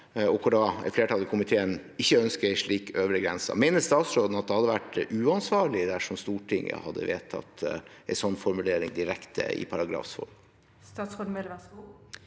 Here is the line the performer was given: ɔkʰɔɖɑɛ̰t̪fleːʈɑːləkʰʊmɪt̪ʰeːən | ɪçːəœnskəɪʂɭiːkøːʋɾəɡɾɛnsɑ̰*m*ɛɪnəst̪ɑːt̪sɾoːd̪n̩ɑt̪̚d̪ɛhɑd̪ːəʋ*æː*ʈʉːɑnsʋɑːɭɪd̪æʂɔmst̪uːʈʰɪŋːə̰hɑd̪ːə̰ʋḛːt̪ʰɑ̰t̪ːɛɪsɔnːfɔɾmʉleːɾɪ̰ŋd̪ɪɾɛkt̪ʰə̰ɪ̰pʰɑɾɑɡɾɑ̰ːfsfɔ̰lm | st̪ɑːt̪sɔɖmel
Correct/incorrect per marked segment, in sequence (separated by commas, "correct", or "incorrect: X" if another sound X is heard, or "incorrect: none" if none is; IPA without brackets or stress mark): correct, incorrect: æ